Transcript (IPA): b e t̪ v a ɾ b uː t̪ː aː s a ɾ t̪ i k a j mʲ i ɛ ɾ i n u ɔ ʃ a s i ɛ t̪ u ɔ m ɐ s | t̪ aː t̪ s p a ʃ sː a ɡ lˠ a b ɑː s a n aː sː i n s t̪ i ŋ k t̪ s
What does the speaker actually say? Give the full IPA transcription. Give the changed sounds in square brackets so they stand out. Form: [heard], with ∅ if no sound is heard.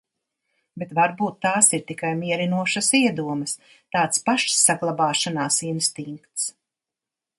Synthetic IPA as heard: b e t̪ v a ɾ b uː t̪ː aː s [i] ɾ t̪ i k a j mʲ i ɛ ɾ i n u ɔ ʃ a s i ɛ [d̪] u ɔ m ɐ s | t̪ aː t̪ s p a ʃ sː a ɡ lˠ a b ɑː [ʃ] a n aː [s] i n s t̪ i ŋ k t̪ s